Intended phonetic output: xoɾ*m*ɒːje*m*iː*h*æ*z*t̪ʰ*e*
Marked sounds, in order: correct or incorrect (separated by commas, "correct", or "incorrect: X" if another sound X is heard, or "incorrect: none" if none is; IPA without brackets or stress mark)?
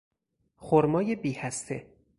correct, incorrect: b, correct, incorrect: s, correct